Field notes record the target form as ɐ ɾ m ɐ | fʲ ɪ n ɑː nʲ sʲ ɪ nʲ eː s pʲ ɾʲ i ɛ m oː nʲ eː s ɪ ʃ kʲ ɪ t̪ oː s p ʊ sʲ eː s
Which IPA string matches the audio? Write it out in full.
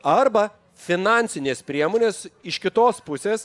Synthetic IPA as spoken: ɐ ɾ b ɐ | fʲ ɪ n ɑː nʲ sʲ ɪ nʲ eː s pʲ ɾʲ i ɛ m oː nʲ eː s ɪ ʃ kʲ ɪ t̪ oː s p ʊ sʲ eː s